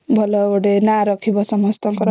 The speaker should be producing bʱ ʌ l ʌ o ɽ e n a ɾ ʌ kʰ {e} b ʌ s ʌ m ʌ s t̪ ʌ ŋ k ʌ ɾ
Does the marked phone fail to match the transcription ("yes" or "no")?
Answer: yes